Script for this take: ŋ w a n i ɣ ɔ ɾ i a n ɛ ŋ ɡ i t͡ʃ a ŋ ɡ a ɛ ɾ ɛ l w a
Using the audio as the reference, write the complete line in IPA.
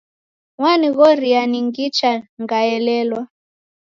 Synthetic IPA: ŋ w a n i ɣ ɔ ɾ i a n i ŋ ɡ i t͡ʃ a ŋ ɡ a ɛ l ɛ l w a